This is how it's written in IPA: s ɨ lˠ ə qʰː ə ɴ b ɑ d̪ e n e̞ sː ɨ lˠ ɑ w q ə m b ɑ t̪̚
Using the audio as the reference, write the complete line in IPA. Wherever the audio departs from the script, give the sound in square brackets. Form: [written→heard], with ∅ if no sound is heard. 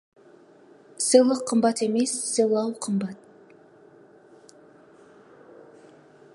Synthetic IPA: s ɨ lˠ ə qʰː ə [ɴ→m] b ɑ [d̪→t̪] e [n→m] e̞ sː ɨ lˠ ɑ w [q→qʰ] ə m b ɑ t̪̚